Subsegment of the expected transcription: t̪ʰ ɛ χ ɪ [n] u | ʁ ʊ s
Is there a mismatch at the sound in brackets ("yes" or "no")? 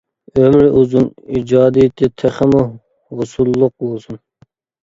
yes